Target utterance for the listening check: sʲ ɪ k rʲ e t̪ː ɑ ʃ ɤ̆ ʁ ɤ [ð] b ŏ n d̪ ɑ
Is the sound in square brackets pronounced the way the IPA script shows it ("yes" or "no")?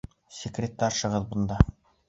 yes